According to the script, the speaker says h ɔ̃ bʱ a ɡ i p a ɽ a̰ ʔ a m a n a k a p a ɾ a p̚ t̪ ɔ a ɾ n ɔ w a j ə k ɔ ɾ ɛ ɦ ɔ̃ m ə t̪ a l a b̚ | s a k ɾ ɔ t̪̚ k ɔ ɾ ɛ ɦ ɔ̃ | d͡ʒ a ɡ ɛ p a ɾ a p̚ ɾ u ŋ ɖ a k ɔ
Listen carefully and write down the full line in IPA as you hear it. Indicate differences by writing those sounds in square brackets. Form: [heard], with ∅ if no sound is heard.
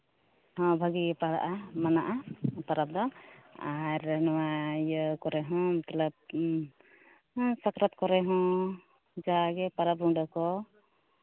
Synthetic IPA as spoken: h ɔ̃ bʱ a ɡ i p a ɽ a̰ ʔ a m a n a [ʔ] a p a ɾ a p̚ [d̪] ɔ a ɾ n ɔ w a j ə k ɔ ɾ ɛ ɦ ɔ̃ m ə t̪ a l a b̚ | s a k ɾ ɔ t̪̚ k ɔ ɾ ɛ ɦ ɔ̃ | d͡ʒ a ɡ ɛ p a ɾ a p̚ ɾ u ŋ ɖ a k ɔ